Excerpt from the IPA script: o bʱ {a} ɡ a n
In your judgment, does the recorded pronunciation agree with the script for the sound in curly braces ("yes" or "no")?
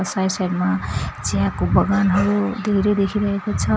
no